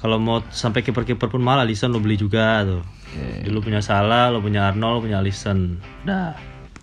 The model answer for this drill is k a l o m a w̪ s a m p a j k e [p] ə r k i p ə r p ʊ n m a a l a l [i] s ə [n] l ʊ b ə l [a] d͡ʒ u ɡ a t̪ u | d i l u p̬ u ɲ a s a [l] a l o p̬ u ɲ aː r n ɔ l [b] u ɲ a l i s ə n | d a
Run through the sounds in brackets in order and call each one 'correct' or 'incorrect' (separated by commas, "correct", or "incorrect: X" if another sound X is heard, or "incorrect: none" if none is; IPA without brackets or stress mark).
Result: correct, correct, correct, incorrect: i, correct, incorrect: p